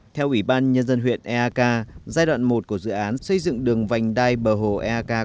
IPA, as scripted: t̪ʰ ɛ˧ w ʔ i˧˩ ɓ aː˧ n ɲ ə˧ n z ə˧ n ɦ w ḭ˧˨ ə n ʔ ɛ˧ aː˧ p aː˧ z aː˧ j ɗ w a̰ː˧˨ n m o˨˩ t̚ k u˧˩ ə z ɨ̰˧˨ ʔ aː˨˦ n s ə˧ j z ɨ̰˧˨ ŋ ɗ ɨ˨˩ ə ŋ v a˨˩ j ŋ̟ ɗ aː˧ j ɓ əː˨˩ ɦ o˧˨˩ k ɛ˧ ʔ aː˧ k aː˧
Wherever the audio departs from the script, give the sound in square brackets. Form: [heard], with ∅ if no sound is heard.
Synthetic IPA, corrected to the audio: t̪ʰ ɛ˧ w ʔ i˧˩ ɓ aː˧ n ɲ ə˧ n z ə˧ n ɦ w ḭ˧˨ ə n ʔ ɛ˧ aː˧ [k] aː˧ z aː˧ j ɗ w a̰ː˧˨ n m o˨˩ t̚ k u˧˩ ə z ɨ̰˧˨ ʔ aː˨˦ n s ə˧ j z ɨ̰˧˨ ŋ ɗ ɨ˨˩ ə ŋ v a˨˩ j ŋ̟ ɗ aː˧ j ɓ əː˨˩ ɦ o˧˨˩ [ʔ] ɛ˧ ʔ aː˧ k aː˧